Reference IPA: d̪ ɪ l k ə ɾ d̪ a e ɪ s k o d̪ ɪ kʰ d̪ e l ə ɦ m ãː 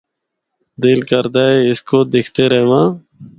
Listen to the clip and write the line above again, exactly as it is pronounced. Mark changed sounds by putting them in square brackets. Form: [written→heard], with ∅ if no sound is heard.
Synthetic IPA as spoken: d̪ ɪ l k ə ɾ d̪ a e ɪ s k o d̪ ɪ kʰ [d̪→t̪] e [l→ɾ] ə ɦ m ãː

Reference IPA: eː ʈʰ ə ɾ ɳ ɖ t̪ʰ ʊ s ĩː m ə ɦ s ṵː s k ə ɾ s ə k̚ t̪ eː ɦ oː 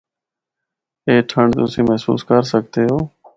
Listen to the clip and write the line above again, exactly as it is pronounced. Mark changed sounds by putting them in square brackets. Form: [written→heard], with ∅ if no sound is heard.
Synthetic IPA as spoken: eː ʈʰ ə [ɾ→∅] ɳ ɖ [t̪ʰ→t̪] ʊ s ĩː m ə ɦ s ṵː s k ə ɾ s ə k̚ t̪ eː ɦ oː

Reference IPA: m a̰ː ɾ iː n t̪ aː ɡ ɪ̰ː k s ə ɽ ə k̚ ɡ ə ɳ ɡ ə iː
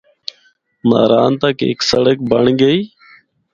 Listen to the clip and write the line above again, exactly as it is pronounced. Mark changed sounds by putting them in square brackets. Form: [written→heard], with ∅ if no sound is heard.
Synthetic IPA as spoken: m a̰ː ɾ [iː→aː] n t̪ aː [ɡ→k] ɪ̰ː k s ə ɽ ə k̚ [ɡ→b] ə ɳ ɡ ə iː

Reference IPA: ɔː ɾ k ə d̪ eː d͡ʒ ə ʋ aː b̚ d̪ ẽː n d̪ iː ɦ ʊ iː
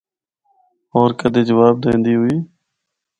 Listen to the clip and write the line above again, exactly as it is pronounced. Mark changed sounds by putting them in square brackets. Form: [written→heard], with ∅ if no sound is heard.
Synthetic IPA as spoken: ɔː ɾ k ə d̪ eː d͡ʒ ə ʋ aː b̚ d̪ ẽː n d̪ iː ɦ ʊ iː

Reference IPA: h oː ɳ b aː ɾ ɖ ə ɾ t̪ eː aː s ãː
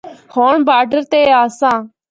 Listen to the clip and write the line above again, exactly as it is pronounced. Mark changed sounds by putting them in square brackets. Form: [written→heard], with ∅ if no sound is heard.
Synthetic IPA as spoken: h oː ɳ b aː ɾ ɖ ə ɾ t̪ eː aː s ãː

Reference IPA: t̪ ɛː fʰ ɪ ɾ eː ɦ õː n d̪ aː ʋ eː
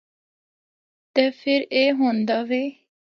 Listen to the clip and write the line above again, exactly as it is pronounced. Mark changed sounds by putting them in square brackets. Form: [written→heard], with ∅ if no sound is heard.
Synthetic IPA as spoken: t̪ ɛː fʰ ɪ ɾ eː ɦ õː n d̪ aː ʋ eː

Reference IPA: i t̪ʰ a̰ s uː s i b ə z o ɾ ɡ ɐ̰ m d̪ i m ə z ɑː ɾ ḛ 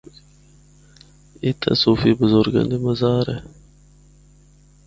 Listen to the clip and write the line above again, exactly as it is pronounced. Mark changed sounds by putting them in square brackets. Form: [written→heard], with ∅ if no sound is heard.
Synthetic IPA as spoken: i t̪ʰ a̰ s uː [s→f] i b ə z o ɾ ɡ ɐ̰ [m→n] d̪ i m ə z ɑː ɾ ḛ

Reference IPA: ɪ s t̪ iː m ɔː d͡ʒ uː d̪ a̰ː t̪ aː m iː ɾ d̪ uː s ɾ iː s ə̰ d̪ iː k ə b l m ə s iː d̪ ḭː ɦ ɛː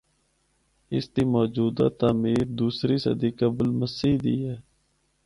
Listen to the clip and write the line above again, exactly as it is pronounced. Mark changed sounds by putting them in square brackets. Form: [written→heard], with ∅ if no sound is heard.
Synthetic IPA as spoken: ɪ s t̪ iː m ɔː d͡ʒ uː d̪ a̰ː t̪ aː m iː ɾ d̪ uː s ɾ iː s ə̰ d̪ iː k ə b l m ə s iː d̪ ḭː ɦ ɛː

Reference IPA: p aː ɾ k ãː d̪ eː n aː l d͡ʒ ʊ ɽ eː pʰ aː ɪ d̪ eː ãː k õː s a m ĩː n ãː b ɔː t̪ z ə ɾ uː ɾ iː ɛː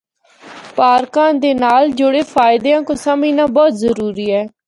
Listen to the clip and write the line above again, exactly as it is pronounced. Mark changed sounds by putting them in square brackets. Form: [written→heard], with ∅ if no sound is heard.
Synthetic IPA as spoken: p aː ɾ k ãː d̪ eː n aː l d͡ʒ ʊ ɽ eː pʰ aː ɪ d̪ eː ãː k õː s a m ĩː n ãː b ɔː t̪ z ə ɾ uː ɾ iː ɛː

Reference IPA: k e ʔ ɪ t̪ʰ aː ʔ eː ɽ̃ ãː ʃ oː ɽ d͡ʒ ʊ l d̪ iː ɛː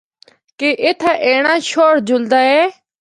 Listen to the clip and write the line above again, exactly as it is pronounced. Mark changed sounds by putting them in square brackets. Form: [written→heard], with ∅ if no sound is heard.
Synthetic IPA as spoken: k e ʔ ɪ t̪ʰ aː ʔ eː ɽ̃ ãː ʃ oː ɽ d͡ʒ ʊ l d̪ [iː→aː] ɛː

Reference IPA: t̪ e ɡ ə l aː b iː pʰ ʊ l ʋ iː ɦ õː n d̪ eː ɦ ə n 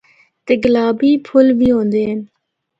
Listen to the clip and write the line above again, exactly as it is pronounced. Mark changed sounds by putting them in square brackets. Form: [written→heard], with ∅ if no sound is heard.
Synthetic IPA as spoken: t̪ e ɡ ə l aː b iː pʰ ʊ l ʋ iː ɦ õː n d̪ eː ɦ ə n

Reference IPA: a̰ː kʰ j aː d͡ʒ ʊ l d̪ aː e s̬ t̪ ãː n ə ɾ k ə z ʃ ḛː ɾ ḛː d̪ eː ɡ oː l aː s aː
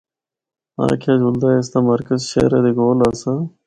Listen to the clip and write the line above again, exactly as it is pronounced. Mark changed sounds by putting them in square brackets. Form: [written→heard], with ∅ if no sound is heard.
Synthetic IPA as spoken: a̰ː kʰ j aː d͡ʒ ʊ l d̪ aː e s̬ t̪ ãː [n→m] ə ɾ k ə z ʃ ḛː ɾ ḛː d̪ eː ɡ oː l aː s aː

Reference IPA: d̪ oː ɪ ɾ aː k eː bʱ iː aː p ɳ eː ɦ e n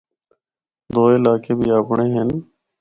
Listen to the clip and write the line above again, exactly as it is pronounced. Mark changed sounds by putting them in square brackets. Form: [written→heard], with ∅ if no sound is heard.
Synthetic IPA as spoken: d̪ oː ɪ [ɾ→l] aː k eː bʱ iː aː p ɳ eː ɦ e n

